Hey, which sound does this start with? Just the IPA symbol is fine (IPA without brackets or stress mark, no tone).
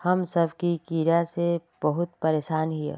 h